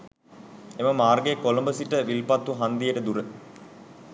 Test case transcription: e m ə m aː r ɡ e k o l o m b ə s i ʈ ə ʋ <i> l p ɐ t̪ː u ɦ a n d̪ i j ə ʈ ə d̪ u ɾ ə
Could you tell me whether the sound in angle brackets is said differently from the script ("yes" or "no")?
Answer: no